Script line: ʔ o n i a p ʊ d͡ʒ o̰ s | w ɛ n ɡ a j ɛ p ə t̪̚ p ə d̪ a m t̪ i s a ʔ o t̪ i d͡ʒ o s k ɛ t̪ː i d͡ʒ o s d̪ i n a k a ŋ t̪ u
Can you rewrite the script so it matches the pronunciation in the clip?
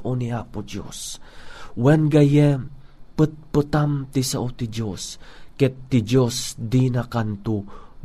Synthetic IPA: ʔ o n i a p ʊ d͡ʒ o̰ s | w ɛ n ɡ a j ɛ p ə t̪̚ p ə t̪ a m t̪ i s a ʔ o t̪ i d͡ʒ o s k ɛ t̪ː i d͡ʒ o s d̪ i n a k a n t̪ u